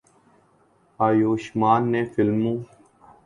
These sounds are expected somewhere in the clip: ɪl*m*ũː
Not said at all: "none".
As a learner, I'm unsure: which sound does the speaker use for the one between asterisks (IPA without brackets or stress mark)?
m